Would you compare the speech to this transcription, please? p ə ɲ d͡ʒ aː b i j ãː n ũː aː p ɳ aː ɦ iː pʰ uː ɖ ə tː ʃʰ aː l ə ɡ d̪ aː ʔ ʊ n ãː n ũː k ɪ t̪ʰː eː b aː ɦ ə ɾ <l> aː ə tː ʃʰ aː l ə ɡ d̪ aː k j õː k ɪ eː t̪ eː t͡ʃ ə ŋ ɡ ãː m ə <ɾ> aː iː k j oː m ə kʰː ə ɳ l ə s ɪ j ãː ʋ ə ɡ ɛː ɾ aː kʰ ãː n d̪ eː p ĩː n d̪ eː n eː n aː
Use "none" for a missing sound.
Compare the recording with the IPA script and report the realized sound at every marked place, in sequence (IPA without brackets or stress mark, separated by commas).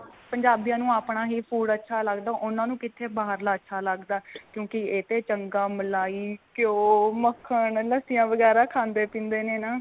l, l